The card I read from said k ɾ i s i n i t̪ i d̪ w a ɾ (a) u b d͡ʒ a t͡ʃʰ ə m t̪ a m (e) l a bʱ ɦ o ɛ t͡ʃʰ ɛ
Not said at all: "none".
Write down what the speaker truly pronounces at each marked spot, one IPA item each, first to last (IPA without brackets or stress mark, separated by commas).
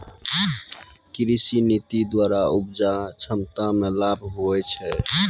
a, e